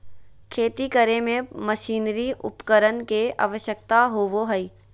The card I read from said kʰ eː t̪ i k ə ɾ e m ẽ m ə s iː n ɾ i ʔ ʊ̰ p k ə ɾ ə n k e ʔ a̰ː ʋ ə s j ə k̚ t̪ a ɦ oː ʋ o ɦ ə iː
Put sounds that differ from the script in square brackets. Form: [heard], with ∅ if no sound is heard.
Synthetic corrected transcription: kʰ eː t̪ i k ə ɾ e m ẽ m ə [ʃ] iː n ɾ i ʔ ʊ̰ p k ə ɾ ə n k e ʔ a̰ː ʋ ə [ʃ] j ə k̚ t̪ a ɦ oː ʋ o ɦ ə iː